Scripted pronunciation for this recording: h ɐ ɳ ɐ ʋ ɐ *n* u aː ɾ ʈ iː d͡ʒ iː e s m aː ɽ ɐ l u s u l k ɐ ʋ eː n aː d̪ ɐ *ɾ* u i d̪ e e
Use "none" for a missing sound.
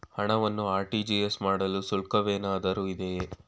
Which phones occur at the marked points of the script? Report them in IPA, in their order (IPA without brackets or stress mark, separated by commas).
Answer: nː, ɾ